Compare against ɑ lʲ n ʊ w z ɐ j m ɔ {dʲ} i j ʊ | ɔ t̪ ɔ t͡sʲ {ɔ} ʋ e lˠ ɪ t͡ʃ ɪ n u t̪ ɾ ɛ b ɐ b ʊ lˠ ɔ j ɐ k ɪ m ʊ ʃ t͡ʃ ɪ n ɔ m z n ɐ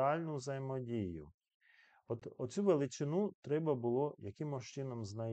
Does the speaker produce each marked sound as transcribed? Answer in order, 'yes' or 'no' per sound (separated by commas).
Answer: yes, no